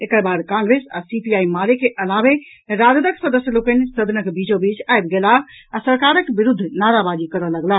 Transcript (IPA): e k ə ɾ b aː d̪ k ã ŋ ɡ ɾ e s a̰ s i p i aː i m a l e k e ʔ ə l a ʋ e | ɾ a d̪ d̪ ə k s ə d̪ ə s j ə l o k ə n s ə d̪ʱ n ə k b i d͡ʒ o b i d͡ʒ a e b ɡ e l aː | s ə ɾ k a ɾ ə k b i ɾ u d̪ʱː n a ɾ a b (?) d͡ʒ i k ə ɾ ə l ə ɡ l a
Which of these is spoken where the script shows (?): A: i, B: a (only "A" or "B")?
B